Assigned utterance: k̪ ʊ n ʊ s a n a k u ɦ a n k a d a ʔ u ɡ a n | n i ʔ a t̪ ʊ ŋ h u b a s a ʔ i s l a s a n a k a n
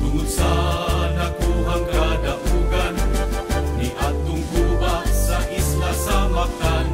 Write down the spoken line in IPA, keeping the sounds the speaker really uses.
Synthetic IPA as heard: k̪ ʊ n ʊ s a n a k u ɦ a ŋ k a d a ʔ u ɡ a n | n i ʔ a t̪ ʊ ŋ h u b a s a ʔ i s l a s a m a k a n